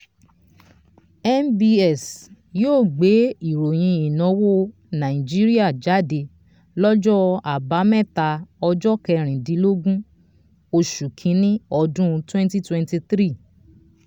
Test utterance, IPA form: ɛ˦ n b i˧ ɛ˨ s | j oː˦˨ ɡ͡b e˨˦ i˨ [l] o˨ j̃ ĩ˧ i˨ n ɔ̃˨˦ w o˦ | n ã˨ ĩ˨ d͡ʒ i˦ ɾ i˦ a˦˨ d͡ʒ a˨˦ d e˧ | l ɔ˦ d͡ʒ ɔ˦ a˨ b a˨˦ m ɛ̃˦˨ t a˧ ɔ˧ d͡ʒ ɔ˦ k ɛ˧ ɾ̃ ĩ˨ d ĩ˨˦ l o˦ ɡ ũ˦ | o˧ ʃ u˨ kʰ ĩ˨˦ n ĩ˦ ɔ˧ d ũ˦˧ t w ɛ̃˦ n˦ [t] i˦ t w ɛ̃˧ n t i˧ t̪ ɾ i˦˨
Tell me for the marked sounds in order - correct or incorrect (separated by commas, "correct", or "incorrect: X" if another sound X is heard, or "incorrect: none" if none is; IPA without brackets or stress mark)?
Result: incorrect: ɾ, correct